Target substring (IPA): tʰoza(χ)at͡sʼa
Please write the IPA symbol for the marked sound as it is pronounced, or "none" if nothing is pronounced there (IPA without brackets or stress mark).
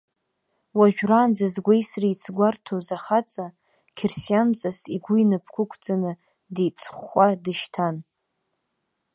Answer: χ